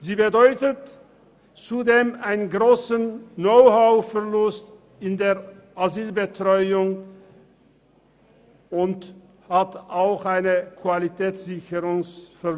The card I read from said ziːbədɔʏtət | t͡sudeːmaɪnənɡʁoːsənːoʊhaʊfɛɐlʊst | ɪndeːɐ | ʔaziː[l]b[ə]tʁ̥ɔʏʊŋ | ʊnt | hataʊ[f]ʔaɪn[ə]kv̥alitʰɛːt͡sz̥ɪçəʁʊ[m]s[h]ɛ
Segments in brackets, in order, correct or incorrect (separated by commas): correct, correct, incorrect, correct, incorrect, incorrect